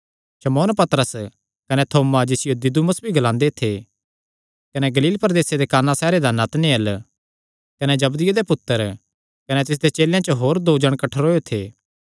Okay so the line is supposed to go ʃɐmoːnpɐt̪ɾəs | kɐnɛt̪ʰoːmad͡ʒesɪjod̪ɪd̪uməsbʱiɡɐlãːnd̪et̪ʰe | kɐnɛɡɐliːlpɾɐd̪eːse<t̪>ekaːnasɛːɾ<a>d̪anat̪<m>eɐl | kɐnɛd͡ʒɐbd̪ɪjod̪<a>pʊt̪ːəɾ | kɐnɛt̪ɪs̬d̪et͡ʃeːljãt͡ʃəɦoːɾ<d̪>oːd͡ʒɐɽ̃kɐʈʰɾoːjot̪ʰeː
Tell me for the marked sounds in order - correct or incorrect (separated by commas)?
incorrect, incorrect, incorrect, incorrect, correct